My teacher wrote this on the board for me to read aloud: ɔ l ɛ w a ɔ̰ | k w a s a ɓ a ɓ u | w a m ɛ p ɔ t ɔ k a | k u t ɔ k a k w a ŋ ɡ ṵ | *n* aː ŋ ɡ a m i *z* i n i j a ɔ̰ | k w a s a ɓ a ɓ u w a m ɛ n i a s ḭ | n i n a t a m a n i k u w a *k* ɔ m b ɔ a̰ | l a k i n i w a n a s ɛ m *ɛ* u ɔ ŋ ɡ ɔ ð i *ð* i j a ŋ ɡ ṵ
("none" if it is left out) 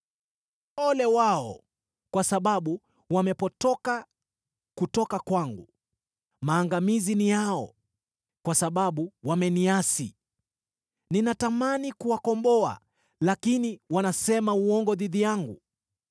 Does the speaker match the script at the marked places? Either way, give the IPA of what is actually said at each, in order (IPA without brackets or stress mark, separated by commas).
m, z, k, a, ð